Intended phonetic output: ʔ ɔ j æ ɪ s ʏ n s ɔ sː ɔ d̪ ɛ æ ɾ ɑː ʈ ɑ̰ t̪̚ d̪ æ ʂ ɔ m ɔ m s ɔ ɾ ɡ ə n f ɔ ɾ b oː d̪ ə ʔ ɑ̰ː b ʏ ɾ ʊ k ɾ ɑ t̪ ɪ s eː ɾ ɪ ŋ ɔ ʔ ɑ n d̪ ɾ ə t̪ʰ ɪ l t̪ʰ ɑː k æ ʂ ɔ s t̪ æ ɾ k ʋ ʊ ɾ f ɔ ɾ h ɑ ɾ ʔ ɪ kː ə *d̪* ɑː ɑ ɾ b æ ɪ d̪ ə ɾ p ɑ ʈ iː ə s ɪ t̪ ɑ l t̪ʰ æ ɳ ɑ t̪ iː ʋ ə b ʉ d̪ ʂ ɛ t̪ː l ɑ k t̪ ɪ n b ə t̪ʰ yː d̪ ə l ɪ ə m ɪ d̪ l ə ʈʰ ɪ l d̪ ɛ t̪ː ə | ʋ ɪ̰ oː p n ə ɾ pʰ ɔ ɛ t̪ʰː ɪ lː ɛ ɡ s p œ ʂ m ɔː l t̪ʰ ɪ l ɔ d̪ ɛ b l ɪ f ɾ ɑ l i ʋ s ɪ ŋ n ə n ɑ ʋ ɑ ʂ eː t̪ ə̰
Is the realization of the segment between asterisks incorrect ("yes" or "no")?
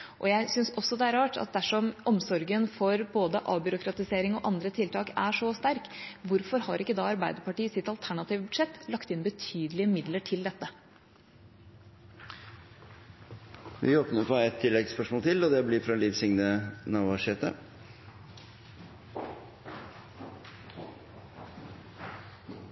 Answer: no